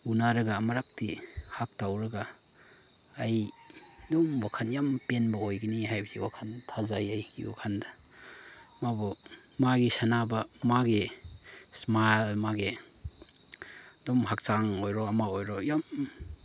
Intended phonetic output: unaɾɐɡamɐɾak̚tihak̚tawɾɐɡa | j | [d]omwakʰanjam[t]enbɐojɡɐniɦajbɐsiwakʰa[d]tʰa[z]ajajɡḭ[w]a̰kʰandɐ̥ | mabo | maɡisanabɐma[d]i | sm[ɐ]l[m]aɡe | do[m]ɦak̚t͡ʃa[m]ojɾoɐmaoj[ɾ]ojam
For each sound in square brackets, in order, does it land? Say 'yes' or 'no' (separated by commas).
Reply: yes, no, no, yes, yes, no, no, yes, yes, no, yes